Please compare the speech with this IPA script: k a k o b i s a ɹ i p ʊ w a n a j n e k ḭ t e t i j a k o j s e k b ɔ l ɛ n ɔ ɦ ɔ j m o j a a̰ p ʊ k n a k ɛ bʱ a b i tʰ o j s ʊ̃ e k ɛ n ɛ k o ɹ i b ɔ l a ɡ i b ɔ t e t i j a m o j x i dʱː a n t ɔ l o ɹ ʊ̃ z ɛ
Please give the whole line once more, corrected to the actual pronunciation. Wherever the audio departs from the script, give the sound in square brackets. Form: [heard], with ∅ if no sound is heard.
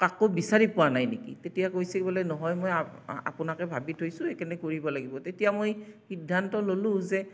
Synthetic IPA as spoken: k a k o b i s a ɹ i p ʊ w a n a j n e k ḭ t e t i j a k o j s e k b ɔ l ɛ n ɔ ɦ ɔ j m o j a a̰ p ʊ [∅] n a k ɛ bʱ a b i tʰ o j s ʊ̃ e k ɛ n ɛ k o ɹ i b ɔ l a ɡ i b ɔ t e t i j a m o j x i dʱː a n t ɔ l o [l] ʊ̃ z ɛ